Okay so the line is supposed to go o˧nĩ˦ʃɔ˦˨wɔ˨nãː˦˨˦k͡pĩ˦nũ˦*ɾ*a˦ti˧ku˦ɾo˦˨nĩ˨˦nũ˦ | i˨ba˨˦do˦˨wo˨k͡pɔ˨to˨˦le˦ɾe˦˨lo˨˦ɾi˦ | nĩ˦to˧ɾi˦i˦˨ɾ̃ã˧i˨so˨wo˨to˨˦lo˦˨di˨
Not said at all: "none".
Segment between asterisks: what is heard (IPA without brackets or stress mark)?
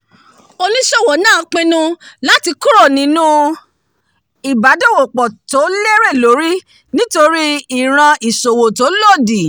l